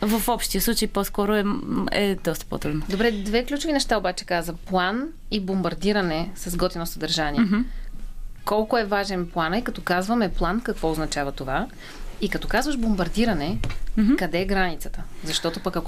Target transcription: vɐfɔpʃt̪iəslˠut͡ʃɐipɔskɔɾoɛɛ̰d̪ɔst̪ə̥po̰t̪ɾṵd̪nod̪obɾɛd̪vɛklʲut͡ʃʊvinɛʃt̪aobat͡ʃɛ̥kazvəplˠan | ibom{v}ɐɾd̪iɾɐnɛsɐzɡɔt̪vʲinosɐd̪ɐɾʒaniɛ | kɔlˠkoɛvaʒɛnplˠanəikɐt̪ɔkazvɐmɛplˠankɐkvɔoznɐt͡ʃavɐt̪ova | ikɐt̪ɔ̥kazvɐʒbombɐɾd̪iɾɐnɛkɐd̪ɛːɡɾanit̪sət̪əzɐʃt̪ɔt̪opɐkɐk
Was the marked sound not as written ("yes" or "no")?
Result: yes